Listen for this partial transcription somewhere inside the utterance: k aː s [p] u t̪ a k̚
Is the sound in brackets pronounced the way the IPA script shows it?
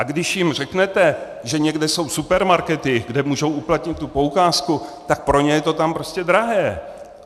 no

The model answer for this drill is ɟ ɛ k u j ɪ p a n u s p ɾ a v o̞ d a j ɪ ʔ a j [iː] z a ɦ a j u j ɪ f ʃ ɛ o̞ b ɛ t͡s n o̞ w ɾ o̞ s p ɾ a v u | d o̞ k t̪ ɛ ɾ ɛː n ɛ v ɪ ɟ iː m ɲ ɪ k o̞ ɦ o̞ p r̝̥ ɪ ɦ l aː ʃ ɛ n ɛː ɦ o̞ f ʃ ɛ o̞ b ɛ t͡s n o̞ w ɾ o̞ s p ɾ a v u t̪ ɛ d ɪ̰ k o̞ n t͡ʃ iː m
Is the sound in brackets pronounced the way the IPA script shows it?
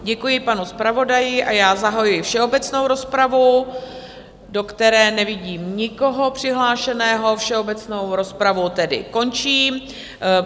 no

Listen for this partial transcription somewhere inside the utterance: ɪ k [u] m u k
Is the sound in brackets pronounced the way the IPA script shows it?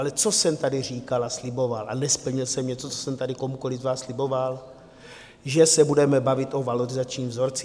no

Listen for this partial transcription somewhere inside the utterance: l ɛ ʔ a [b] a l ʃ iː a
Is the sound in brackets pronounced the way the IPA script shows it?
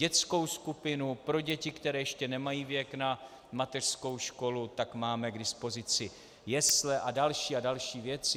no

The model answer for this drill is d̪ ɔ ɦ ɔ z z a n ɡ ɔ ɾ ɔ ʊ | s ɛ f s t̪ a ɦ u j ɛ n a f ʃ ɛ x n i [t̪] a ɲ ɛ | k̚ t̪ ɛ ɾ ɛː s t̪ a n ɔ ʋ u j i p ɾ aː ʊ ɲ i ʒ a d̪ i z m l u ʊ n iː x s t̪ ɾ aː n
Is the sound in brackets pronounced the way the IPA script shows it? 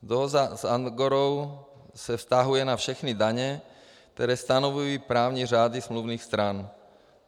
no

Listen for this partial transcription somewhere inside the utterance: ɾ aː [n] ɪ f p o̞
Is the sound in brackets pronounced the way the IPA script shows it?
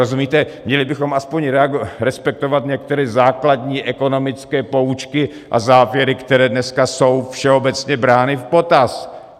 yes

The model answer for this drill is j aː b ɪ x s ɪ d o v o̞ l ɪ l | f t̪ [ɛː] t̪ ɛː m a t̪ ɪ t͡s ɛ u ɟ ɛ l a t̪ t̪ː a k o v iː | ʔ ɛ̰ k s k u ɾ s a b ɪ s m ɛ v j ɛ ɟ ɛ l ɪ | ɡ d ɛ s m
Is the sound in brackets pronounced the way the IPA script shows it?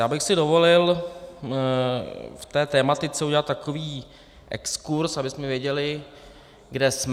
yes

